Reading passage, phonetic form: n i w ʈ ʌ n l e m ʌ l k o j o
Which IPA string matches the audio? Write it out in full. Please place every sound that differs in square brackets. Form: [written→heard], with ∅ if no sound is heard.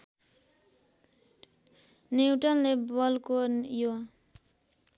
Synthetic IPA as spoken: n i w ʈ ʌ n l e [m→b] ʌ l k o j o